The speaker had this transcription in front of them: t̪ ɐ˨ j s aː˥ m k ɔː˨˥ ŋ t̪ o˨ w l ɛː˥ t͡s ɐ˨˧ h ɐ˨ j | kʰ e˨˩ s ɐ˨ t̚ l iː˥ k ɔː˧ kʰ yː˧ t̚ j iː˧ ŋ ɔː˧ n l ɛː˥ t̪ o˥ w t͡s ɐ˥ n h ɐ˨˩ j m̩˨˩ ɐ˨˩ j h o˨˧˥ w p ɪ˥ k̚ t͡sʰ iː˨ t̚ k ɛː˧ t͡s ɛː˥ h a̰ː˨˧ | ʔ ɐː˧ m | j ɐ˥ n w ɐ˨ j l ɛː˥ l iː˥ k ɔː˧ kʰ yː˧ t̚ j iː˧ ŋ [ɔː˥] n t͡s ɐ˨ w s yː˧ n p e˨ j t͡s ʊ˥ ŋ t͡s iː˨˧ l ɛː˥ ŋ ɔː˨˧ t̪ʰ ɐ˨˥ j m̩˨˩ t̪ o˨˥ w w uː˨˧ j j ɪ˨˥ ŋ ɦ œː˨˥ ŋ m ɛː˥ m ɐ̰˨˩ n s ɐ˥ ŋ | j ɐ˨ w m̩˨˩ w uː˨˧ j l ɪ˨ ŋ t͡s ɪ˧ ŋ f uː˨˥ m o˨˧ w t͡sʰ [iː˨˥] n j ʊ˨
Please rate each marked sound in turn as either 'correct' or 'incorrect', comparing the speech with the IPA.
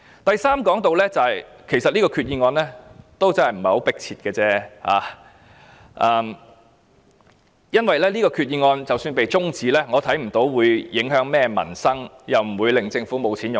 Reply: incorrect, correct

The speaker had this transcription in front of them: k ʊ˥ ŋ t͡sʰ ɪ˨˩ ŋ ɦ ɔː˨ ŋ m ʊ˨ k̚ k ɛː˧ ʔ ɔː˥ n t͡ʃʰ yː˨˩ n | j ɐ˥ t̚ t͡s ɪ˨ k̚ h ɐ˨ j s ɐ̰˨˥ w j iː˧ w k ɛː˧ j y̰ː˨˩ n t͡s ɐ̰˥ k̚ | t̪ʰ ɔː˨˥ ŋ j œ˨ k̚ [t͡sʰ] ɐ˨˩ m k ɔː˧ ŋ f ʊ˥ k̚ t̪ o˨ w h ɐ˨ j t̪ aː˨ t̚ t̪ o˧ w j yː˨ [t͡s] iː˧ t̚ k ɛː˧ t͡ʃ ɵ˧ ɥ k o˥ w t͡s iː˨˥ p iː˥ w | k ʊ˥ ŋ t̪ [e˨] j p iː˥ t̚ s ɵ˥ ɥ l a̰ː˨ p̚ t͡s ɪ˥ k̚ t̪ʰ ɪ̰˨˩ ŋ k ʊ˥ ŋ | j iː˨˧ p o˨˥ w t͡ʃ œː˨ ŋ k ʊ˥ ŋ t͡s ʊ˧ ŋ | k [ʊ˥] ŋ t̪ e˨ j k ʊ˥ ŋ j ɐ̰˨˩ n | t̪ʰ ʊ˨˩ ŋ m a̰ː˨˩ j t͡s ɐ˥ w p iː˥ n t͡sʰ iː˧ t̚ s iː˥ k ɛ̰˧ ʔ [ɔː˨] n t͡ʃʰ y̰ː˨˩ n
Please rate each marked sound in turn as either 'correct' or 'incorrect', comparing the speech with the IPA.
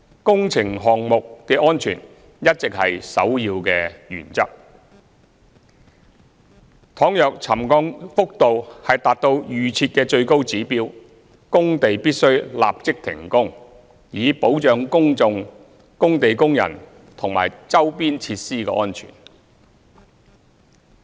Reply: correct, incorrect, correct, correct, incorrect

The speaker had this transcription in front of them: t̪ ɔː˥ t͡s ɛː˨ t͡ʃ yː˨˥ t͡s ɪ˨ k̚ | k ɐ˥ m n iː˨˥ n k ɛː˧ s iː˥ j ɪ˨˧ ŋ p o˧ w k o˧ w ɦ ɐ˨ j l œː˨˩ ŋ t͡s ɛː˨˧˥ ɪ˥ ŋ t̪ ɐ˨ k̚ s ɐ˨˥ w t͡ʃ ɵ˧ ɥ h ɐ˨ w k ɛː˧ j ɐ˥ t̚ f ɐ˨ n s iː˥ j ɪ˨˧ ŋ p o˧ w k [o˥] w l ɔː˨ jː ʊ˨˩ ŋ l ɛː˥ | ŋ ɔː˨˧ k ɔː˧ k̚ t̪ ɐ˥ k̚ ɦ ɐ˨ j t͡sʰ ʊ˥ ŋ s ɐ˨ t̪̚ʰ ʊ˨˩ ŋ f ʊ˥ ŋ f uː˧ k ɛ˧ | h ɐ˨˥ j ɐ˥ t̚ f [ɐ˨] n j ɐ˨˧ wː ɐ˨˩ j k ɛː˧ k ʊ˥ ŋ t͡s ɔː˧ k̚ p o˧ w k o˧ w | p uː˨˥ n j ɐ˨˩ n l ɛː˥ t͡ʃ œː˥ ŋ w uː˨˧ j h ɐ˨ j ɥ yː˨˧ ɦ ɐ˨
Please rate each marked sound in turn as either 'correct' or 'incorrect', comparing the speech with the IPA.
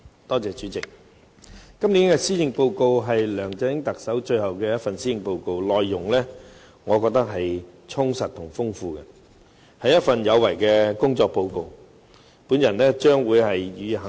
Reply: incorrect, correct

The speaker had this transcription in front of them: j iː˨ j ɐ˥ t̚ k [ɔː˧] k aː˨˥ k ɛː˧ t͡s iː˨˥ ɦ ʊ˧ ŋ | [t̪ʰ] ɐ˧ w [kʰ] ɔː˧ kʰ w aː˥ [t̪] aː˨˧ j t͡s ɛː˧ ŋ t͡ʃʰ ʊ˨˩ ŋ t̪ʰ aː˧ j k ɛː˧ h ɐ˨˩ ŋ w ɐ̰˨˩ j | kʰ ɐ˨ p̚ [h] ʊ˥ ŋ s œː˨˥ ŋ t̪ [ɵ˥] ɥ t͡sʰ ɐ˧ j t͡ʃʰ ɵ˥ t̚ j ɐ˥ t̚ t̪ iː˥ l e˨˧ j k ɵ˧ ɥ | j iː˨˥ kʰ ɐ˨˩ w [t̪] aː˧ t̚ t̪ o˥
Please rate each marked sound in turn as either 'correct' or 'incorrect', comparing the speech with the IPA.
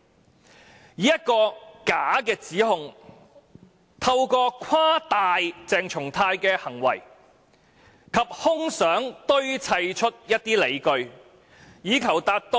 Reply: correct, correct, incorrect, correct, correct, correct, correct

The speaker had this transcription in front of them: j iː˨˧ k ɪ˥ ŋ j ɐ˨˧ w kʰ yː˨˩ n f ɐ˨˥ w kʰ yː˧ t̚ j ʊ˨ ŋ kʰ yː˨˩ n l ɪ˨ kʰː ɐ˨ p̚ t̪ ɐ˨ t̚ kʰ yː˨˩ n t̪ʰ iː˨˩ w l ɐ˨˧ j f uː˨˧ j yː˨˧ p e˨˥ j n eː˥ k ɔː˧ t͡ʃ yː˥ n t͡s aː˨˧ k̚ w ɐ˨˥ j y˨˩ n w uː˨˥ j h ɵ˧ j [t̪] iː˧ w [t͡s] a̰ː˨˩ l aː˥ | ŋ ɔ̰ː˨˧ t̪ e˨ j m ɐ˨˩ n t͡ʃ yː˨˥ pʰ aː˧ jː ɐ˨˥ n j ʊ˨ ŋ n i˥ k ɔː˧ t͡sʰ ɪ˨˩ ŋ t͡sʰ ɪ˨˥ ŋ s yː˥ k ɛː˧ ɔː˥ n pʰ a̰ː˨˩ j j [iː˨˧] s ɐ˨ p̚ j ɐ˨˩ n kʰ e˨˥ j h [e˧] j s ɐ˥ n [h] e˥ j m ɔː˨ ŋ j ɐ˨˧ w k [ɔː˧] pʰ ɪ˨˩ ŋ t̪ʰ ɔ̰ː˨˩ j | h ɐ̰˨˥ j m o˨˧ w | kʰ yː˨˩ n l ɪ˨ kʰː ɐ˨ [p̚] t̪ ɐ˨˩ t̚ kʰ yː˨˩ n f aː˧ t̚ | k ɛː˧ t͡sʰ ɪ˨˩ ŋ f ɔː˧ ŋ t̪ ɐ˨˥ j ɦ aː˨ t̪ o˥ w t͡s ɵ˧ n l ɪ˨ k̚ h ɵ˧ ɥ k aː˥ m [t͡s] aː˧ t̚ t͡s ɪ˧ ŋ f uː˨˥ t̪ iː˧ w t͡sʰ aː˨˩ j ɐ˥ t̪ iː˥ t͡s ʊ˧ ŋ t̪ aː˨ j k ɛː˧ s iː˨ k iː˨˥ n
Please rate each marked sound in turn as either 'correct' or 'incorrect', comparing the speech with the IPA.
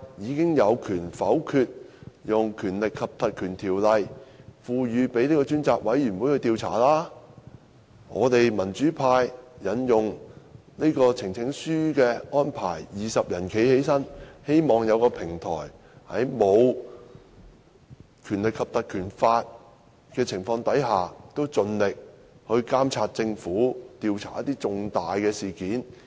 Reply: correct, incorrect, correct, incorrect, correct, correct, correct, incorrect

